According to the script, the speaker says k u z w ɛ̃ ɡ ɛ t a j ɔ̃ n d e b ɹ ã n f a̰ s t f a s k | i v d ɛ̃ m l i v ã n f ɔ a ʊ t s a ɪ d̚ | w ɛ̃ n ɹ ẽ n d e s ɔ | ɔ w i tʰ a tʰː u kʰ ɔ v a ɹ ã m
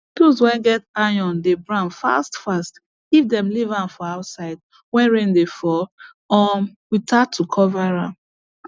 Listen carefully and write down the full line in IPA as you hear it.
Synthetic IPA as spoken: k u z w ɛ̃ ɡ ɛ t a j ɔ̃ n d e b ɹ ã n f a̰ s t f a s t | i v d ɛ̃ m l i v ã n f ɔ a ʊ t s a ɪ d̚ | w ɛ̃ n ɹ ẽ n d e f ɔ | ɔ w i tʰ a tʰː u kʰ ɔ v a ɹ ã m